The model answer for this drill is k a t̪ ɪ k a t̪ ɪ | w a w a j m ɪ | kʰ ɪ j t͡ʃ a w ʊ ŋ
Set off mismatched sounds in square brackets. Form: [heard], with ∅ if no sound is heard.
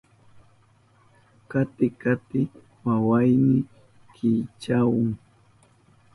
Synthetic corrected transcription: k a t̪ ɪ k a t̪ ɪ | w a w a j [n] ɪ | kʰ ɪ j t͡ʃ a w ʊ ŋ